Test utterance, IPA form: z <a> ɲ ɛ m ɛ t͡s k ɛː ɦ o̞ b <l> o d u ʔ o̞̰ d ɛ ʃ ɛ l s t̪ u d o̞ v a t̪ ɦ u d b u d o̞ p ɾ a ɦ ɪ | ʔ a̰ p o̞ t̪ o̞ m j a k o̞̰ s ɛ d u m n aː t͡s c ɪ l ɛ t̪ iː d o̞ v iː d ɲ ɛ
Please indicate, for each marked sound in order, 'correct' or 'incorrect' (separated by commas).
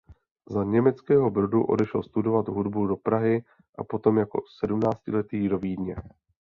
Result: correct, incorrect